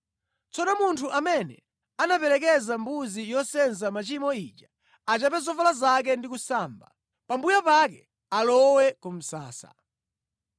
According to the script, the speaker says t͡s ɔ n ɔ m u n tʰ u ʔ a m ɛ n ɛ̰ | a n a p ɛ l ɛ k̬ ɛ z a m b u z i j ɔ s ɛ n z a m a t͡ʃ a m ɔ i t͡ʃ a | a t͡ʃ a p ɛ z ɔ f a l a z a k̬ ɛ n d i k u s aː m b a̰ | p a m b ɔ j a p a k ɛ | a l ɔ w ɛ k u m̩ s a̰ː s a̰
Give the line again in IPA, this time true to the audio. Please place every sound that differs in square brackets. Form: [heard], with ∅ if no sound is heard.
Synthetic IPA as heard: t͡s ɔ n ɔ m u n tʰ u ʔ a m ɛ n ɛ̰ | a n a p ɛ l ɛ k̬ ɛ z a m b u z i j ɔ s ɛ n z a m a t͡ʃ [i] m ɔ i t͡ʃ a | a t͡ʃ a p ɛ z ɔ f a l a z a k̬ ɛ n d i k u s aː m b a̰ | p a m b [u] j a p a k ɛ | a l ɔ w ɛ k u m̩ s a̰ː s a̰